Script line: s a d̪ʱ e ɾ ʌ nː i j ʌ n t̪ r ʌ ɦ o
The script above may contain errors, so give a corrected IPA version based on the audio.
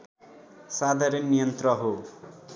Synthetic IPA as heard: s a d̪ʱ a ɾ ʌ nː i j ʌ n t̪ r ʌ ɦ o